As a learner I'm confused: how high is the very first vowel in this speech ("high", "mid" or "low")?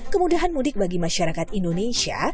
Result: mid